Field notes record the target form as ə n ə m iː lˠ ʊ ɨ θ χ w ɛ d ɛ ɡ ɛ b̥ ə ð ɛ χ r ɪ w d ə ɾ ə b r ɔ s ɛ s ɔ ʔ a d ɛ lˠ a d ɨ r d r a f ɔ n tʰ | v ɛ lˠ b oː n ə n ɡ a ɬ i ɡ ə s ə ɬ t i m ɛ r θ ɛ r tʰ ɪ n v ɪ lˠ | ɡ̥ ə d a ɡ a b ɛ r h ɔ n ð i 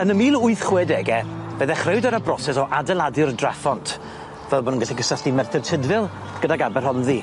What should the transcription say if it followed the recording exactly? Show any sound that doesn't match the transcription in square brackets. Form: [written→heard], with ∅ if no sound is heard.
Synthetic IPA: ə n ə m iː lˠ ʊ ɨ θ χ w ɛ d ɛ ɡ ɛ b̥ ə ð ɛ χ r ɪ w d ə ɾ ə b r ɔ s ɛ s ɔ ʔ a d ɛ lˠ a d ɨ r d r a f ɔ n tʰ | v ɛ lˠ b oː n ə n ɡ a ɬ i ɡ ə s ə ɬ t i m ɛ r θ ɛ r tʰ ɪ [n→d] v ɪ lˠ | ɡ̥ ə d a ɡ a b ɛ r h ɔ n ð i